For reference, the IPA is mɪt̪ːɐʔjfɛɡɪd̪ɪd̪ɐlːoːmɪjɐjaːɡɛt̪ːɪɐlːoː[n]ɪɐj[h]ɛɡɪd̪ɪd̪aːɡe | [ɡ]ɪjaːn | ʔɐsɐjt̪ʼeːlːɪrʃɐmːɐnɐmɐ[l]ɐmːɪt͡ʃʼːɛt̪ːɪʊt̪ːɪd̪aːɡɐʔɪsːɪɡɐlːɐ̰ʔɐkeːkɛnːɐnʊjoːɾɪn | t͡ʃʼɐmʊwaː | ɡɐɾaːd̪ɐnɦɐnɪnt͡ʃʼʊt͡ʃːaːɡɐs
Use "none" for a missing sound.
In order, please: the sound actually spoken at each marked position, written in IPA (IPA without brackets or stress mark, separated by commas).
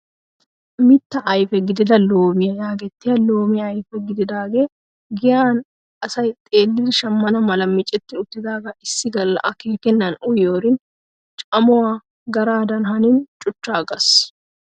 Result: m, f, ɡ, l